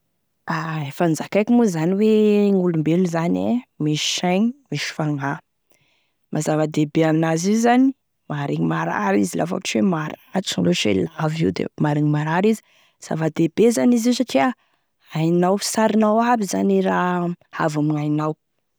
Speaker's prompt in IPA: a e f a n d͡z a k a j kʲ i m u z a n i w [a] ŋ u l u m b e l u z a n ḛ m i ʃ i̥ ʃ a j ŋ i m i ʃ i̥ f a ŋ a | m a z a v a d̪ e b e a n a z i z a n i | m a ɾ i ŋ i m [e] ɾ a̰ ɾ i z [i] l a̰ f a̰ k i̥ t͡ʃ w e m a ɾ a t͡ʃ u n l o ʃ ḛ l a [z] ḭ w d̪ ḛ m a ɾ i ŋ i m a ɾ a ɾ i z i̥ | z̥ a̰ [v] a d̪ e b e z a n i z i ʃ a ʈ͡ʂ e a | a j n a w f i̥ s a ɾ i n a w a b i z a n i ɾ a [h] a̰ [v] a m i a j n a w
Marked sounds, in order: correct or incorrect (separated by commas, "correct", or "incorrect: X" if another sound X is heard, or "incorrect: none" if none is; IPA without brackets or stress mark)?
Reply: incorrect: e, incorrect: a, correct, incorrect: v, correct, correct, correct